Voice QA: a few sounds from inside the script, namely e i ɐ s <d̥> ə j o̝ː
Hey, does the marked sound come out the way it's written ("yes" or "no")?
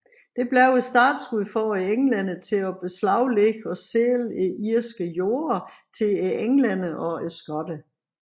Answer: no